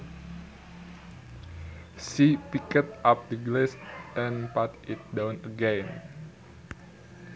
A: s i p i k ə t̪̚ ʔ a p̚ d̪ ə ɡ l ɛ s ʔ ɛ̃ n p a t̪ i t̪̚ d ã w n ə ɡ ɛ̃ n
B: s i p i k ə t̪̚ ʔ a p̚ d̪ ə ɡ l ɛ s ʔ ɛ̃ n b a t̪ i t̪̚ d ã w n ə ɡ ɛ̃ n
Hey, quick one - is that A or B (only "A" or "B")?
A